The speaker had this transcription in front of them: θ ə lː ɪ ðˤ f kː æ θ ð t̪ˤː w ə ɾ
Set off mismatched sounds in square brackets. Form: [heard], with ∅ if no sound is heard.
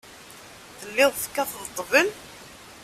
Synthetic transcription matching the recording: θ ə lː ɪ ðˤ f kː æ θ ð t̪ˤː [v] ə [l]